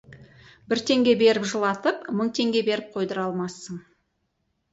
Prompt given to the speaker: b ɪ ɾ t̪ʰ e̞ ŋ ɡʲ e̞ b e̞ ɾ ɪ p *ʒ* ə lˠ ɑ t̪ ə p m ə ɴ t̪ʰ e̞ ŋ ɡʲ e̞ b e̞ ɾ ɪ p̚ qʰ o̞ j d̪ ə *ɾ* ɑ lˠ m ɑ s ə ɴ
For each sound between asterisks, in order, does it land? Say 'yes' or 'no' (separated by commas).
yes, yes